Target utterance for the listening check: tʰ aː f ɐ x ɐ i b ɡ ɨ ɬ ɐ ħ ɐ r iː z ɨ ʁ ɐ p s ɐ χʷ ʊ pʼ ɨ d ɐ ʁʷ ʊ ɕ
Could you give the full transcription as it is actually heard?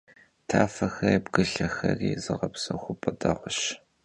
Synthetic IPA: tʰ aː f ɐ x ɐ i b ɡ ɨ ɬ ɐ x ɐ r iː z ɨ ʁ ɐ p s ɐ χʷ ʊ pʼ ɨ d ɐ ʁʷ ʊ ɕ

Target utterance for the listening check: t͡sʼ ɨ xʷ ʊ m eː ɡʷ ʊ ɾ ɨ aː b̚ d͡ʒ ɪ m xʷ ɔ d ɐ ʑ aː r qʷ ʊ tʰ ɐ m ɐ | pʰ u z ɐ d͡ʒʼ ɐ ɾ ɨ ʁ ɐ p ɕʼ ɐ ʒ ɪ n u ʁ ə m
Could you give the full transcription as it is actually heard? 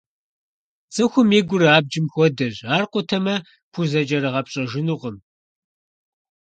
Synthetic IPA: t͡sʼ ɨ xʷ ʊ m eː ɡʷ ʊ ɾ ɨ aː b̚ d͡ʒ ɪ m xʷ ɔ d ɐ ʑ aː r qʷ ʊ tʰ ɐ m ɐ | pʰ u z ɐ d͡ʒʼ ɐ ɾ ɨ ʁ ɐ p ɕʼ ɐ ʒ ɪ n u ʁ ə m

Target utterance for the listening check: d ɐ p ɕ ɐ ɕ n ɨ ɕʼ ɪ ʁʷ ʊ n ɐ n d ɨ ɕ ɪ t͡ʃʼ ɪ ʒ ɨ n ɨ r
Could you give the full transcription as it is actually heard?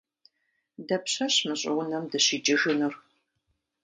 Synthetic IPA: d ɐ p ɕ ɐ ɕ m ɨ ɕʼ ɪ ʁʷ ʊ n ɐ m d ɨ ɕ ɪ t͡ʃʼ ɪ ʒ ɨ n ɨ r

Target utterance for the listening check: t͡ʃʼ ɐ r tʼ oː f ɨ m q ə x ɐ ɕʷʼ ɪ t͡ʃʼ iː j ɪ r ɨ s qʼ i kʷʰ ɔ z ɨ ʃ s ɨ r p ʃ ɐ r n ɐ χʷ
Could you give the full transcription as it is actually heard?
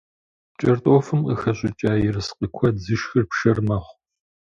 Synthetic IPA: t͡ʃʼ ɐ r tʼ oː f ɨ m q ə x ɐ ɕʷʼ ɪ t͡ʃʼ aː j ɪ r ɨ s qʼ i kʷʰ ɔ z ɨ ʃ x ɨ r p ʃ ɐ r m ɐ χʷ

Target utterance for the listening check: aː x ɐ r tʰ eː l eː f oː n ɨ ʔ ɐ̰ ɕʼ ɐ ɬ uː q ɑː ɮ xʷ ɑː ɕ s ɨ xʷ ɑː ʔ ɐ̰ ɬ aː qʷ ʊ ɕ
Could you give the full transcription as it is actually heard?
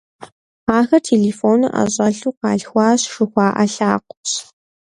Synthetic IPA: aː x ɐ r tʰ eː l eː f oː n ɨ ʔ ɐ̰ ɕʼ ɐ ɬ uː q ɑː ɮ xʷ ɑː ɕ ʂ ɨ xʷ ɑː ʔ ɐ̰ ɬ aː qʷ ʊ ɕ

